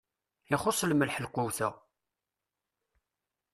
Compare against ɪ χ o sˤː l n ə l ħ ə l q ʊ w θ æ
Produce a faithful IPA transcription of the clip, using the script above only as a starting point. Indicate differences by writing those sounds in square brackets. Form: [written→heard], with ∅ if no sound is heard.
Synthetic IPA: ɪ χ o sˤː l [n→m] ə l ħ ə l q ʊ w θ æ